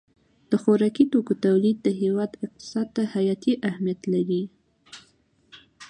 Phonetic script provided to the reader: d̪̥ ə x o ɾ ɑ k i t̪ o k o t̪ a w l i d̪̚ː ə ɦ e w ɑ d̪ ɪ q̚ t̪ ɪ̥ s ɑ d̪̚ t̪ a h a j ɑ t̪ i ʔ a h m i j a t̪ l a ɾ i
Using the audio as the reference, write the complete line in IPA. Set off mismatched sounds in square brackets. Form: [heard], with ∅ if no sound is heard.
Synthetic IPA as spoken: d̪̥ ə x o ɾ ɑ k i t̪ o k o t̪ a w l i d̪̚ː ə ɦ e w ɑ d̪ ɪ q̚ t̪ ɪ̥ s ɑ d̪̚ t̪ a h a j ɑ t̪ i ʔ a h m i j a t̪ l a ɾ i